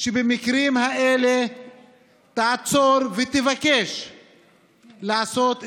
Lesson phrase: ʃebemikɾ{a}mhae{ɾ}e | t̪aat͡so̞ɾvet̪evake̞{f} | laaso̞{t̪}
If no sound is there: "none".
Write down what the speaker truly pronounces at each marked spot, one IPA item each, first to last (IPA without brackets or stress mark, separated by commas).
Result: i, l, ʃ, t̪